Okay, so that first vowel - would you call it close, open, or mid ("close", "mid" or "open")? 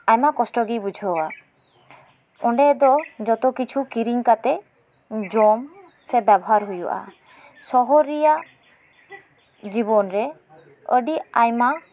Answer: open